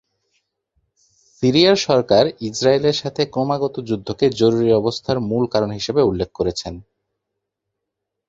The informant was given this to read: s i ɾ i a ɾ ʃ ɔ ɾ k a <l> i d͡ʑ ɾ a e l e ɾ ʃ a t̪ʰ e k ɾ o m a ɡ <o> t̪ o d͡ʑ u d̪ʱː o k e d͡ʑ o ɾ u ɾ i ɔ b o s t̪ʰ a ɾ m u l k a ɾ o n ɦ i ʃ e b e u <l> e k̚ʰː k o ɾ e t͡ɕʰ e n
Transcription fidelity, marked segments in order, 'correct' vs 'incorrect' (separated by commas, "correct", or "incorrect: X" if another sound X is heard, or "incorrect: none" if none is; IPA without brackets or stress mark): incorrect: ɾ, incorrect: ɔ, incorrect: lː